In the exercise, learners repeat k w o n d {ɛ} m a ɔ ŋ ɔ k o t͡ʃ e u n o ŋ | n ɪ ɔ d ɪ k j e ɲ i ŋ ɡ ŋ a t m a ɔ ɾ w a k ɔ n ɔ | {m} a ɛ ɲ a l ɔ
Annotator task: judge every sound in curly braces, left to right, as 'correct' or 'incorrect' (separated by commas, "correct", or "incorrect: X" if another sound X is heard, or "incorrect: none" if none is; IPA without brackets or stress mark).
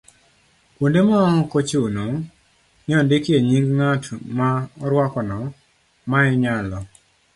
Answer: incorrect: e, correct